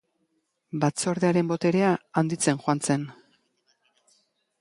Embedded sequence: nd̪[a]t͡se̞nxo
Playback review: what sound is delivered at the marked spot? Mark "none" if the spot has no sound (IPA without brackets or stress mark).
i